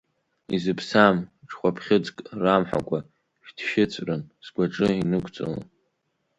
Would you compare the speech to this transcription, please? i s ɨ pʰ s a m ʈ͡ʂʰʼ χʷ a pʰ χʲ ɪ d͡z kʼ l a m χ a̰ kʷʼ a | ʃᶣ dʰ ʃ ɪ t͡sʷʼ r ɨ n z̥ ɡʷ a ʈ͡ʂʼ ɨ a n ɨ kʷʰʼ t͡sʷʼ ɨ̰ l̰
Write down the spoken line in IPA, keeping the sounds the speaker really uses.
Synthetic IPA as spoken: i z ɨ pʰ s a m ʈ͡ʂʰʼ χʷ a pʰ χʲ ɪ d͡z kʼ r a m ħ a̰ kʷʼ a | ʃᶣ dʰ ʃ ɪ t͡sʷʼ r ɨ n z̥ ɡʷ a ʈ͡ʂʼ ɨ i n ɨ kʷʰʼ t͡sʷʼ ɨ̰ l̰